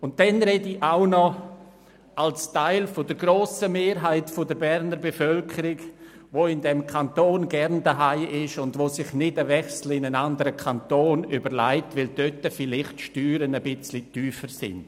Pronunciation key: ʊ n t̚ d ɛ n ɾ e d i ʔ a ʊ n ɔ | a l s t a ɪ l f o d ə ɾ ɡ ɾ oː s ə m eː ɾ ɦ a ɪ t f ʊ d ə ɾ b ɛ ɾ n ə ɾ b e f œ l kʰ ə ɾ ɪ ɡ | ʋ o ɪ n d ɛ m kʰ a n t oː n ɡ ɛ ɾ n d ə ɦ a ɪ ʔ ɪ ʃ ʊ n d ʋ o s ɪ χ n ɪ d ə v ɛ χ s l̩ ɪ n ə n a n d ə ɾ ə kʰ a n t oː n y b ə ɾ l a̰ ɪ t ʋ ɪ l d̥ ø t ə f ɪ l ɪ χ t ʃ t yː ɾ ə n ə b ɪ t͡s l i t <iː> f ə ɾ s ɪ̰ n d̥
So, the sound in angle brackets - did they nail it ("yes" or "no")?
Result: no